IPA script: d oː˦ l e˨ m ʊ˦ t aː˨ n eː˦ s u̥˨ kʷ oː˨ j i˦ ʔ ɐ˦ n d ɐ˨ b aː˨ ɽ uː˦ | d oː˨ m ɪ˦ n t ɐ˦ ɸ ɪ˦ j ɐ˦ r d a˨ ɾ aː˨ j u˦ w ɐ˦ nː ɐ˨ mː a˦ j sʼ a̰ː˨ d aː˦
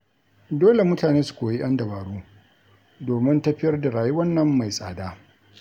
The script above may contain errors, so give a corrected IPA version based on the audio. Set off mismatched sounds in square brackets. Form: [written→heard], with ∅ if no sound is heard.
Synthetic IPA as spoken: d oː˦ l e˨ m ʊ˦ t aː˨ n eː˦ s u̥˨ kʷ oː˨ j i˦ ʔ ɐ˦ n d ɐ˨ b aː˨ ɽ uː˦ | d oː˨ m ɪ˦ n t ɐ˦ ɸ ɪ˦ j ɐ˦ r d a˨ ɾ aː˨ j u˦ w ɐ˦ nː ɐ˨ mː [a˦→a˨] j sʼ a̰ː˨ d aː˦